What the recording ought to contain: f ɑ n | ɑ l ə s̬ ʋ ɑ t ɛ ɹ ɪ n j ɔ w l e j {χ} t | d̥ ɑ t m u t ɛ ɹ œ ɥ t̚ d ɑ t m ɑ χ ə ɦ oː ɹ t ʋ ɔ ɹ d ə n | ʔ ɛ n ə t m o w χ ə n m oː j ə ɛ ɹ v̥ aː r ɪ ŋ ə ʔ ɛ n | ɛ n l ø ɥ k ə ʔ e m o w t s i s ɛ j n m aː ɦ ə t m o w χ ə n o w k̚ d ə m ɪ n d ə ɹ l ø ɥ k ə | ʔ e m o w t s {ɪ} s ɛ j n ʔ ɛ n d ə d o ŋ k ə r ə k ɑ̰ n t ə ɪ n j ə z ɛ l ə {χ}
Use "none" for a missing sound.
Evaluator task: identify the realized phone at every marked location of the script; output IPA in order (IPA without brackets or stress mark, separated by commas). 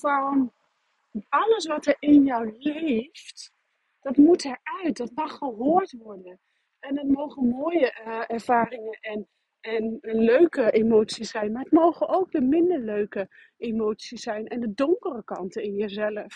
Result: f, i, f